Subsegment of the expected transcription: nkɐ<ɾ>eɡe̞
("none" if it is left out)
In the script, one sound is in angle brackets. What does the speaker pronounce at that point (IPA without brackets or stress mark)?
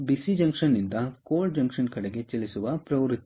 ɽ